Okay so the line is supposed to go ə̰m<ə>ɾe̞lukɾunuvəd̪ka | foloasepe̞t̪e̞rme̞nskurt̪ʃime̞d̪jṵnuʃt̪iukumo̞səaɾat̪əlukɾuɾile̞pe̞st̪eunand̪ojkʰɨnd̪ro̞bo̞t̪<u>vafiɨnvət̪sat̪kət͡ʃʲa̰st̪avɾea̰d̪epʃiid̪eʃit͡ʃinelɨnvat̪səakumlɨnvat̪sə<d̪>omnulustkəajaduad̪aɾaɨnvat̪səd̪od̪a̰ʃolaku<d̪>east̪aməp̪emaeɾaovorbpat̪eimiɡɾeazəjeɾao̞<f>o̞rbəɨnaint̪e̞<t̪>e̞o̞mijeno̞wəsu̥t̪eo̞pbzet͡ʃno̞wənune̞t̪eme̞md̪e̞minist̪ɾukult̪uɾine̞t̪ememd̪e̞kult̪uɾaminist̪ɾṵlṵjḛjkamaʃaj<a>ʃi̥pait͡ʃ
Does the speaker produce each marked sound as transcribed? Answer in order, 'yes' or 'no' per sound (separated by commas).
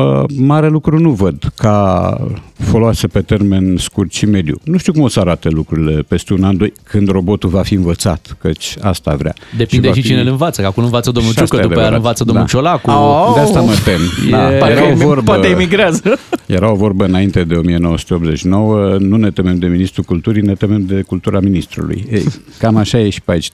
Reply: no, yes, yes, yes, no, no, no